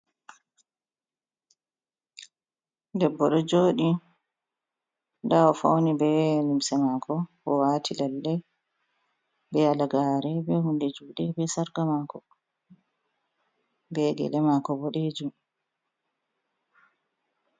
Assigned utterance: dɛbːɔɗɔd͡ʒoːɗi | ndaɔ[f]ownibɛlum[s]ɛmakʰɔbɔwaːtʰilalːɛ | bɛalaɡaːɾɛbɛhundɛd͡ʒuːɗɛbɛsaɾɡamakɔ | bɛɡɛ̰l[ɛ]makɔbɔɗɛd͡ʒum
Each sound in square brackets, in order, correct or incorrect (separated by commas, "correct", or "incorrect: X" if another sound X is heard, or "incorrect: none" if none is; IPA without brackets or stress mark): correct, correct, correct